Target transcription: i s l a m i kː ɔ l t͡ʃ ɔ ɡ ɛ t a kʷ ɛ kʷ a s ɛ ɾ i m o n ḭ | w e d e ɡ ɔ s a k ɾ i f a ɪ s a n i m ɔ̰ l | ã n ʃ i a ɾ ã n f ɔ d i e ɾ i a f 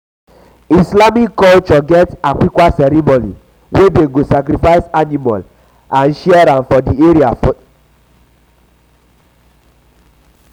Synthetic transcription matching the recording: i s l a m i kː ɔ l t͡ʃ ɔ ɡ ɛ t a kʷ i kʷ a s ɛ ɾ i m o n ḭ | w e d e ɡ o s a k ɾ i f a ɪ s a n i m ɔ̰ l | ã n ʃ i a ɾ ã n f ɔ d i e ɾ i a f